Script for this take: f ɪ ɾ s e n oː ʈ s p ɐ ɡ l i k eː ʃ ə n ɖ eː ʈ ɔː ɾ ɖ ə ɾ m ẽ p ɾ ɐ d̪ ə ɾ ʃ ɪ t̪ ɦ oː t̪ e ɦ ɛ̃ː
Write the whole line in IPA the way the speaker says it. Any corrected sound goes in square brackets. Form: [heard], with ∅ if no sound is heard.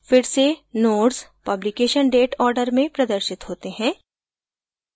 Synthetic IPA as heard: f ɪ ɾ s e n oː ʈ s p ɐ [b] l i k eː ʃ ə n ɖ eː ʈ ɔː ɾ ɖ ə ɾ m ẽ p ɾ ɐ d̪ ə ɾ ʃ ɪ t̪ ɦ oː t̪ e ɦ ɛ̃ː